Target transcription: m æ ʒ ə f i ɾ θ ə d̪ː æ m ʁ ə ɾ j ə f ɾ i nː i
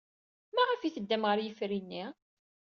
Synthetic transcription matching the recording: m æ ʁ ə f i θ ə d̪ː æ m ʁ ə ɾ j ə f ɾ i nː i